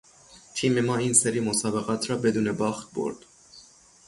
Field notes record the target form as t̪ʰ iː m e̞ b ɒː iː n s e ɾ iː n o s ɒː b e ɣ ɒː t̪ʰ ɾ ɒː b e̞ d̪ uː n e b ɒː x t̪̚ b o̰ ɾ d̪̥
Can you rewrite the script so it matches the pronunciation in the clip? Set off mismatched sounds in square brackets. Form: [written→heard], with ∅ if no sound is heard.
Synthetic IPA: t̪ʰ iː m e̞ [b→m] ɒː iː n s e ɾ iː [n→m] o s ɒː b e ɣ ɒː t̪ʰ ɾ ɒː b e̞ d̪ uː n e b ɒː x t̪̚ b o̰ ɾ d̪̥